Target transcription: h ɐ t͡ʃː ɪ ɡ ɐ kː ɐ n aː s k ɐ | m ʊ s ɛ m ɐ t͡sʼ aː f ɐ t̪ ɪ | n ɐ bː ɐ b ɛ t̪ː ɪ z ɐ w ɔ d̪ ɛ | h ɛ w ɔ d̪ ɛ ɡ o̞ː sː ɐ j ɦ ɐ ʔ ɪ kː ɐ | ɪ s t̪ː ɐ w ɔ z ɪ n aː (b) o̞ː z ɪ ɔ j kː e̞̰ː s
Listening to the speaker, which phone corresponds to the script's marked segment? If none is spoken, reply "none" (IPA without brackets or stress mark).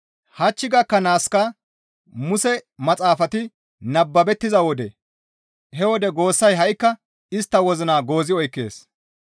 ɡ